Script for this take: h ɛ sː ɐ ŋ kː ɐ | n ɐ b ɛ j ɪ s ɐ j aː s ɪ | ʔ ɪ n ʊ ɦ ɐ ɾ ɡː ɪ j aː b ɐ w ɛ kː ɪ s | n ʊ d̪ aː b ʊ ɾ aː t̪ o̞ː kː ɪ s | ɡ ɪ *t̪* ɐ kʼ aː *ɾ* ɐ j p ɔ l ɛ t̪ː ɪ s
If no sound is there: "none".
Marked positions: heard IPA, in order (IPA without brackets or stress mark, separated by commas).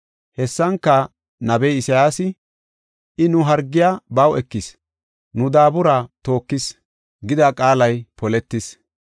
d̪, l